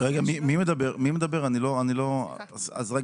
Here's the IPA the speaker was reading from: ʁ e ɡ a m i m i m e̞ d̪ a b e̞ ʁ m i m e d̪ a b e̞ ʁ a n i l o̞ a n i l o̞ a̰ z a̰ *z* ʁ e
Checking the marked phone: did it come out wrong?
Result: no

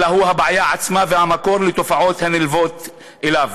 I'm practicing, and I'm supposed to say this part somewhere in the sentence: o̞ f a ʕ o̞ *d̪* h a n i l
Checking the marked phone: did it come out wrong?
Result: yes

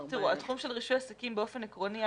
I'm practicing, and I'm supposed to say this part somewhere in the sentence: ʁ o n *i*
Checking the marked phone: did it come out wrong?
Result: no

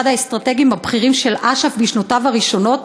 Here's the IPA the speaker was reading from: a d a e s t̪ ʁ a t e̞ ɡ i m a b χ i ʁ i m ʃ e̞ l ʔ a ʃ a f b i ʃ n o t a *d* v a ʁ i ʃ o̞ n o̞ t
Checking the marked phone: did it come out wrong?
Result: yes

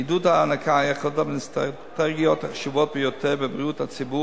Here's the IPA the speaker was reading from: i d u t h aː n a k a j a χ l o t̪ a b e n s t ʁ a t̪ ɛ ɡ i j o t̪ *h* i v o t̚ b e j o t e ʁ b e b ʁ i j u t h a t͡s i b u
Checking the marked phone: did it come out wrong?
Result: yes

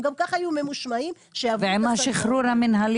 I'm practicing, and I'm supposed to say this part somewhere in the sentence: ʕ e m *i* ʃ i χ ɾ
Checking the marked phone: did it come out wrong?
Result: yes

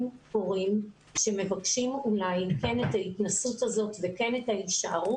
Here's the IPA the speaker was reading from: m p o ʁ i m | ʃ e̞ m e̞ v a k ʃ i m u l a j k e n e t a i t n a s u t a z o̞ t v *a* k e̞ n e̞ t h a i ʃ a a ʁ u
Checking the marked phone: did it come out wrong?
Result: yes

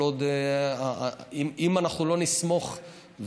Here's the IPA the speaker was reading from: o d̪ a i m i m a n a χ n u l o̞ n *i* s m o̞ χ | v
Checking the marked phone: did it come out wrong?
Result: no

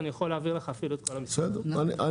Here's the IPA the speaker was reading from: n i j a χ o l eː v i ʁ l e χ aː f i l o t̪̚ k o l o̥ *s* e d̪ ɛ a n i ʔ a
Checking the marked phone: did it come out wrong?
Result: no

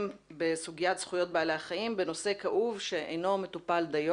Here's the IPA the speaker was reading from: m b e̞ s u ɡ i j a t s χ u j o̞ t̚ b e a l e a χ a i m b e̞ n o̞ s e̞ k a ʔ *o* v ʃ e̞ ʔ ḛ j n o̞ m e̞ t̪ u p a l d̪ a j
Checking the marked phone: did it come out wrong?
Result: yes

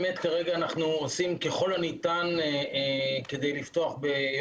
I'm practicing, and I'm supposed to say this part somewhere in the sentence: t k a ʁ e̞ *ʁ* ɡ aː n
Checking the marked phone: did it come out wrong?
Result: yes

